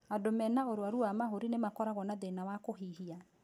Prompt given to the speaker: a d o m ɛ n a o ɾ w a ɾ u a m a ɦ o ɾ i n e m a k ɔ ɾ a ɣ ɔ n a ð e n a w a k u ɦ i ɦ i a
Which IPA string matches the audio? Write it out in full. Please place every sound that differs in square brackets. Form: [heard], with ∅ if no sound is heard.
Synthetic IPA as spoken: a d o m ɛ n a o ɾ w a ɾ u a m a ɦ o ɾ i n e m a k ɔ ɾ a ɣ ɔ n a ð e n a w a k [o] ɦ i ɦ i a